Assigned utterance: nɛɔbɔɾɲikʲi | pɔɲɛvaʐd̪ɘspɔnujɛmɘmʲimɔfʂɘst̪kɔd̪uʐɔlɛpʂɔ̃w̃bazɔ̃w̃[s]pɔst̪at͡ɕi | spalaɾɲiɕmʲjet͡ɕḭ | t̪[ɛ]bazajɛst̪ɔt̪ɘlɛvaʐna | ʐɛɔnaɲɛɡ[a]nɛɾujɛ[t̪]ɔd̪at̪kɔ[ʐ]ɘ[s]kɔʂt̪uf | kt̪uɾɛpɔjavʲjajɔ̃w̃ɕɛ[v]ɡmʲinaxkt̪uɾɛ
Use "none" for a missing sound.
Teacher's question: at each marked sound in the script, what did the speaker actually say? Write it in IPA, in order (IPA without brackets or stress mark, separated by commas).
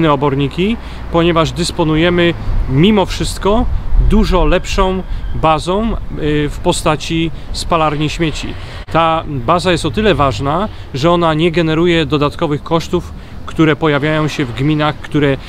f, a, ɛ, d̪, v, x, v